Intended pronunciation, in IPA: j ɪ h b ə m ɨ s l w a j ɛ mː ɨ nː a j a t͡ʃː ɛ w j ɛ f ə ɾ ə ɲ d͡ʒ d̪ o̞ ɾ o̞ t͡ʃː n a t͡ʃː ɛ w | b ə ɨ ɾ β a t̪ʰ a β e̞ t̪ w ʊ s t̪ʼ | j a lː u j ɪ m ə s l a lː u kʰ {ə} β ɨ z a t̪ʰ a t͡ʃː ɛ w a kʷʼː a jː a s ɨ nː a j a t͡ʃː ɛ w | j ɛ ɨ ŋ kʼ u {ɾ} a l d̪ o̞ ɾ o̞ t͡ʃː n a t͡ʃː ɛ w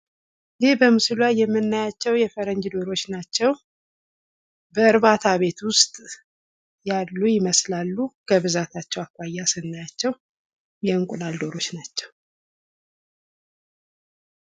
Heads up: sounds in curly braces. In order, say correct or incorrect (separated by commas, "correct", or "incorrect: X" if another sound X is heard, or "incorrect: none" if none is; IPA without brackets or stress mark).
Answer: correct, incorrect: l